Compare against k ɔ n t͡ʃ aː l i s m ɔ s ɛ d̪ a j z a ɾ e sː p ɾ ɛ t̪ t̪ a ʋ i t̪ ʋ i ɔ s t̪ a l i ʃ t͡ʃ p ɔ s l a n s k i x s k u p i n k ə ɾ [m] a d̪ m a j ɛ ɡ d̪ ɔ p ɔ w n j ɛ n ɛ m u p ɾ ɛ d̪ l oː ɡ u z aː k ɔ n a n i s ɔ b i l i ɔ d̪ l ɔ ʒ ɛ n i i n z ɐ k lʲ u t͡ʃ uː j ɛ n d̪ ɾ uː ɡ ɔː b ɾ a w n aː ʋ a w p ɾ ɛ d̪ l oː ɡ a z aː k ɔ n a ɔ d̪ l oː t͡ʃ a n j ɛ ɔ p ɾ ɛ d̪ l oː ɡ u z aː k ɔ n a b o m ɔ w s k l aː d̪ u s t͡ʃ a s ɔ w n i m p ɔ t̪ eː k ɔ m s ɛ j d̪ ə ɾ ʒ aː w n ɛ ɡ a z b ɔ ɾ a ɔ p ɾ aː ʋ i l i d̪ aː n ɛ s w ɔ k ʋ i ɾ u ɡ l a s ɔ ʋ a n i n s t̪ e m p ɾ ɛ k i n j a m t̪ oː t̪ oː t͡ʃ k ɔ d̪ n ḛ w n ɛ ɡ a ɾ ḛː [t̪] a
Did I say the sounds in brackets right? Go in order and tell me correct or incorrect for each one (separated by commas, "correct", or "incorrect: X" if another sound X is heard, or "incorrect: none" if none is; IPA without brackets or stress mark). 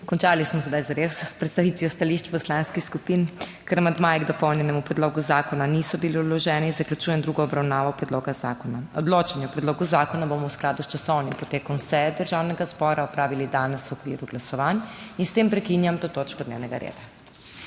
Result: correct, incorrect: d̪